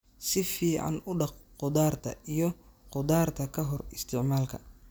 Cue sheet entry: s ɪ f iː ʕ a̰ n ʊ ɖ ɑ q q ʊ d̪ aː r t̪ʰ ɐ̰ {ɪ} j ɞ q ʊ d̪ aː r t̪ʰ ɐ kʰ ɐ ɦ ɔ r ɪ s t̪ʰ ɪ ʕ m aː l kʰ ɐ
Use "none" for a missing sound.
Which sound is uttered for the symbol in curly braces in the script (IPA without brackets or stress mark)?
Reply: i